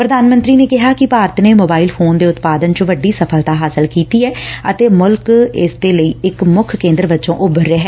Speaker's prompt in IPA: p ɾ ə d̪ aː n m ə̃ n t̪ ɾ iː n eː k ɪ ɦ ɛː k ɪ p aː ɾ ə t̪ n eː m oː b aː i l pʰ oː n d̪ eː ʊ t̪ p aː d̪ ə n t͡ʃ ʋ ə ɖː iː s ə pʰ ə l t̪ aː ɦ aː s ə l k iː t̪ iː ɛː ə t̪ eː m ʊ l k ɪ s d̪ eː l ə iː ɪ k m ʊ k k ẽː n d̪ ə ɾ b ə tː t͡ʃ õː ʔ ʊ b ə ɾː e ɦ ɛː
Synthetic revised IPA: p ɾ ə d̪ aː n m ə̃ n t̪ ɾ iː n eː k ɪ ɦ aː k ɪ p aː ɾ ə t̪ n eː m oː b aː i l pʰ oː n d̪ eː ʊ t̪ p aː d̪ ə n t͡ʃ ʋ ə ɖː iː s ə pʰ ə l t̪ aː ɦ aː s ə l k iː t̪ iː ɛː ə t̪ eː m ʊ l k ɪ s d̪ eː l ə iː ɪ k m ʊ kʰ k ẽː n d̪ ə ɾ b ə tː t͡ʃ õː ʔ ʊ b ə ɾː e ɦ ɛː